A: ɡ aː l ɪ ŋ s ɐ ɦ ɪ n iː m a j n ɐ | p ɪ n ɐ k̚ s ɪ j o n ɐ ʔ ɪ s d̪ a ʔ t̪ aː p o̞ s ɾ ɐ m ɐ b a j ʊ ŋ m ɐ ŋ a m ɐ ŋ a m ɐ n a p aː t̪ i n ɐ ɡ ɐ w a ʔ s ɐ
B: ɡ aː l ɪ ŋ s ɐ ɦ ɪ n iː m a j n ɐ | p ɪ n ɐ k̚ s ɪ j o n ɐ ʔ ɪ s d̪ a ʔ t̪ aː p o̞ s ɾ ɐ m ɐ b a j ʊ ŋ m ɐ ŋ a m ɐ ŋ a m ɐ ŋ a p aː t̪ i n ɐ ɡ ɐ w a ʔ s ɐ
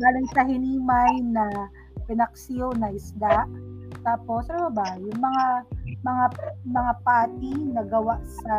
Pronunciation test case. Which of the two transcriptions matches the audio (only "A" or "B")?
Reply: B